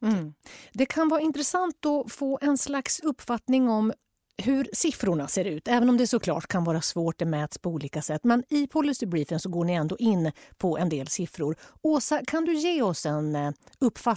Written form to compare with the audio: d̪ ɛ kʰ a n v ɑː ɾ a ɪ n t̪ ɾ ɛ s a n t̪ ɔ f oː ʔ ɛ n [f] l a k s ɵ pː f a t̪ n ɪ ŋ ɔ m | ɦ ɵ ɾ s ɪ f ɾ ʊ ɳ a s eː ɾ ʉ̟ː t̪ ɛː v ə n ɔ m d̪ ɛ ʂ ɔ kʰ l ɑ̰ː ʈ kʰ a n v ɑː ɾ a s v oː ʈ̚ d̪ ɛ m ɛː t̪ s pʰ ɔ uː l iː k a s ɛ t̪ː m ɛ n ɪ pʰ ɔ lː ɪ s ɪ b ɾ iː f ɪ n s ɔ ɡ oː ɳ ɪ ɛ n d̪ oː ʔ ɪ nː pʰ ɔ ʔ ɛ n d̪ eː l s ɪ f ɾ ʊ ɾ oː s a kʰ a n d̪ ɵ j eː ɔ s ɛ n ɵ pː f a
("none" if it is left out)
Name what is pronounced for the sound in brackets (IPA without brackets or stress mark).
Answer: s